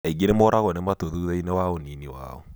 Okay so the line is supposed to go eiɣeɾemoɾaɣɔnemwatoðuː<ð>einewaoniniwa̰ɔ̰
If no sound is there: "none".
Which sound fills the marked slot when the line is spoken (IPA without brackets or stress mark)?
ð